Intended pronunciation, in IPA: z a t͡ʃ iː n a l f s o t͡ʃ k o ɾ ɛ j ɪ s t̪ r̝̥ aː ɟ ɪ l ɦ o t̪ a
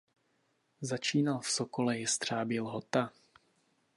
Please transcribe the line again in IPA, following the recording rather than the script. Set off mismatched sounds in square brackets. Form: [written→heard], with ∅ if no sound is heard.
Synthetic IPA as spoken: z a t͡ʃ iː n a l f s o [t͡ʃ→∅] k o [ɾ→l] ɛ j ɪ s t̪ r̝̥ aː [ɟ→b] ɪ l ɦ o t̪ a

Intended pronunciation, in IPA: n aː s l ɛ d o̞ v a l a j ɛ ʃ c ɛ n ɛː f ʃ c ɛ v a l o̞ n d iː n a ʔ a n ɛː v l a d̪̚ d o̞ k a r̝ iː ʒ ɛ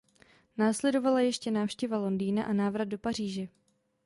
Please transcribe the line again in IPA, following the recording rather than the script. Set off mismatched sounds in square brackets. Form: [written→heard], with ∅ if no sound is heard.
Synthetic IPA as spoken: n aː s l ɛ d o̞ v a l a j ɛ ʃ c ɛ n [ɛː→aː] f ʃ c ɛ v a l o̞ n d iː n a ʔ a n [ɛː→aː] v [l→ɾ] a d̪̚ d o̞ [k→p] a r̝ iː ʒ ɛ

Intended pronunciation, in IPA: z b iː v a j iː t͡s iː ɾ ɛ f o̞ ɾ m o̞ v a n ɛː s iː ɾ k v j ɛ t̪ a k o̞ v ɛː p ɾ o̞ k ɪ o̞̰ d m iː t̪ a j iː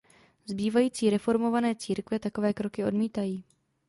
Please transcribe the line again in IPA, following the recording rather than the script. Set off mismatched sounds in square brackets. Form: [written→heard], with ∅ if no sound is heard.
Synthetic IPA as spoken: z b iː v a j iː t͡s iː ɾ ɛ f o̞ ɾ m o̞ v a n ɛː [s→t͡s] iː ɾ k v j ɛ t̪ a k o̞ v ɛː [p→k] ɾ o̞ k ɪ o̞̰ d m iː t̪ a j iː

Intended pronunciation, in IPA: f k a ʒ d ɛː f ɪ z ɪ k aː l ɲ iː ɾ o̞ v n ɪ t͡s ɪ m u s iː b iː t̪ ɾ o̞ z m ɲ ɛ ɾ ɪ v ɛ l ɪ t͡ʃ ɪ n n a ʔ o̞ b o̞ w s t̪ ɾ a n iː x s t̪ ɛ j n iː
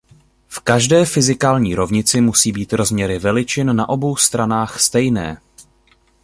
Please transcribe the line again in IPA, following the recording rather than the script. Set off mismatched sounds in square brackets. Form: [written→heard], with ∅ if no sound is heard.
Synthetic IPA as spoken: f k a ʒ d ɛː f ɪ z ɪ k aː l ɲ iː ɾ o̞ v [n→ɲ] ɪ t͡s ɪ m u s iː b iː t̪ ɾ o̞ z m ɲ ɛ ɾ ɪ v ɛ l ɪ t͡ʃ ɪ n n a ʔ o̞ b o̞ w s t̪ ɾ a n [iː→aː] x s t̪ ɛ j n [iː→ɛː]

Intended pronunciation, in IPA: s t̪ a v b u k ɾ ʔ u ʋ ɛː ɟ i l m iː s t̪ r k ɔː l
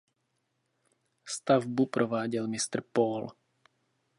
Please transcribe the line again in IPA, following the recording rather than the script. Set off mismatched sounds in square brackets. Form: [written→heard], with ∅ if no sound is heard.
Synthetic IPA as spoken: s t̪ a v b u [k→p] ɾ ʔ [u→ɔ] ʋ [ɛː→aː] ɟ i l m [iː→i] s t̪ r [k→p] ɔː l

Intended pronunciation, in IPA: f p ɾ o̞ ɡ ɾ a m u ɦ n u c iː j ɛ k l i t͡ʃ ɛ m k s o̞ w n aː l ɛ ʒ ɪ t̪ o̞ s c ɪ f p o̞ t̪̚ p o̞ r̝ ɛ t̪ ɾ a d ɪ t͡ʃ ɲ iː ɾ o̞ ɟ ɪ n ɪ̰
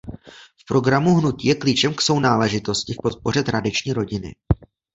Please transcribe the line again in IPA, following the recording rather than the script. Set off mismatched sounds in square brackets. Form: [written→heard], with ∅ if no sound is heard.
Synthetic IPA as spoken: f p ɾ o̞ ɡ ɾ a m u ɦ n u c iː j ɛ k l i t͡ʃ ɛ m k s o̞ w n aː l ɛ ʒ ɪ t̪ o̞ s c ɪ f p o̞ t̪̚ p o̞ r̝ ɛ t̪ ɾ a d ɪ t͡ʃ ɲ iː ɾ o̞ ɟ ɪ n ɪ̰

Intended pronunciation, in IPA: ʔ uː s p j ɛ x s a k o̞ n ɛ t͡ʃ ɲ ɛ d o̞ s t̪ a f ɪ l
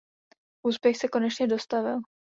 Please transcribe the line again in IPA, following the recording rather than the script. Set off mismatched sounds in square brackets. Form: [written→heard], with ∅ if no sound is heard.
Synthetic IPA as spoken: ʔ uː s p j ɛ x s [a→ɛ] k o̞ n ɛ t͡ʃ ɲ ɛ d o̞ s t̪ a [f→v] ɪ l

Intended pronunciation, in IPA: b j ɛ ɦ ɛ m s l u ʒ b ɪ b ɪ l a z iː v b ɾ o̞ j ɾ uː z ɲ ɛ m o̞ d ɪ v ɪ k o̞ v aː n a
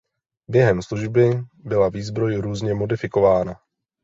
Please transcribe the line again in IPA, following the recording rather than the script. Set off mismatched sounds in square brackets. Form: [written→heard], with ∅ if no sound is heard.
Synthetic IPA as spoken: b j ɛ ɦ ɛ m s l u ʒ b ɪ b ɪ l a [z→v] iː [v→z] b ɾ o̞ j ɾ uː z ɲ ɛ m o̞ d ɪ [v→f] ɪ k o̞ v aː n a

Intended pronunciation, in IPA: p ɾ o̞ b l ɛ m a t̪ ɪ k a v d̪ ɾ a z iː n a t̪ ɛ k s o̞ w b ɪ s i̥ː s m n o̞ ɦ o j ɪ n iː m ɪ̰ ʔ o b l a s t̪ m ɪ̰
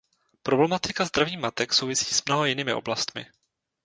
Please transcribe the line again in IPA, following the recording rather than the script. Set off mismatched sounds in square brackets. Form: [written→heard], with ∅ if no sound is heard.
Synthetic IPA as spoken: p ɾ o̞ b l ɛ m a t̪ ɪ k a [v→z] d̪ ɾ a [z→v] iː [n→m] a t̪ ɛ k s o̞ w [b→v] ɪ s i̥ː s m n o̞ ɦ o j ɪ n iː m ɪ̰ ʔ o b l a s t̪ m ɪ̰

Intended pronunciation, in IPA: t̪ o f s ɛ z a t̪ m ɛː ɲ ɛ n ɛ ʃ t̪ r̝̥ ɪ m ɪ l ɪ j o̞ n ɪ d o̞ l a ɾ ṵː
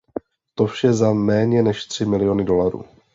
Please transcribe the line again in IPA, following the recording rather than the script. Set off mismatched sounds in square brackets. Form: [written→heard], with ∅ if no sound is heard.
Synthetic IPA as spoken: t̪ o f [s→ʃ] ɛ z a [t̪→∅] m ɛː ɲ ɛ n ɛ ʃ t̪ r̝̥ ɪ m ɪ l ɪ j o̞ n ɪ d o̞ l a ɾ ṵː

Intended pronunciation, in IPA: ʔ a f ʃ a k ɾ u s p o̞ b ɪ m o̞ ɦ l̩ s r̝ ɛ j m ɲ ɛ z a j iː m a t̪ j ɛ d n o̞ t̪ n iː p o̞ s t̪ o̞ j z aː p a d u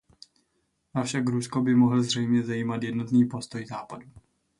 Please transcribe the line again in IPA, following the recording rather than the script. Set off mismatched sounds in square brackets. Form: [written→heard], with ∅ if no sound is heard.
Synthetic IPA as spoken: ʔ a f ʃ a k ɾ u s [p→k] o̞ b ɪ m o̞ ɦ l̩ [s→z] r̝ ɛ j m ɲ ɛ z a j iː m a t̪ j ɛ d n o̞ t̪ n iː p o̞ s t̪ o̞ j z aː p a d u

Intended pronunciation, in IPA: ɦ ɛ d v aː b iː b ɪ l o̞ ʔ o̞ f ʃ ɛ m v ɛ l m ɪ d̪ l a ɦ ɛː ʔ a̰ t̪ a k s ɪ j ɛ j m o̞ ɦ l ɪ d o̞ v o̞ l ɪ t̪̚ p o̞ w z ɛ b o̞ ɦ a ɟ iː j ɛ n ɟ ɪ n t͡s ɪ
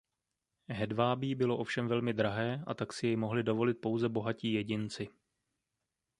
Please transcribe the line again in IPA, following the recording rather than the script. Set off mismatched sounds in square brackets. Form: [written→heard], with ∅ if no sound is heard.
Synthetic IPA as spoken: ɦ ɛ d v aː b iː b ɪ l o̞ ʔ o̞ f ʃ ɛ m v ɛ l m ɪ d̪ [l→ɾ] a ɦ ɛː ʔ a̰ t̪ a k s ɪ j ɛ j m o̞ ɦ l ɪ d o̞ v o̞ l ɪ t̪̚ p o̞ w z ɛ b o̞ ɦ a [ɟ→c] iː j ɛ [n→∅] ɟ ɪ n t͡s ɪ

